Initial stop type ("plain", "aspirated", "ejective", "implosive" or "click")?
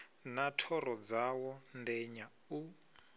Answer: aspirated